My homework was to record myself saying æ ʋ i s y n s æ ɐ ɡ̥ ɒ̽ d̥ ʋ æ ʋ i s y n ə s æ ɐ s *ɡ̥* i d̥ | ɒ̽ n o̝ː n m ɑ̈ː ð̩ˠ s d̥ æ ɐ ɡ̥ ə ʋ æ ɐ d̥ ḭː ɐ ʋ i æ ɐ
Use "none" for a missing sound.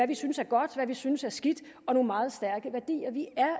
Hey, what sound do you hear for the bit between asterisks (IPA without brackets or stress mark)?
ɡ̥